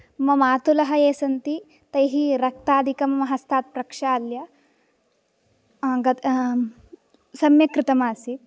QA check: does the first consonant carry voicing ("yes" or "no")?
yes